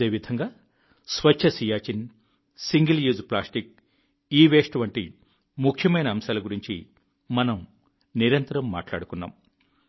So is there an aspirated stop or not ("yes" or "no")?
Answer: yes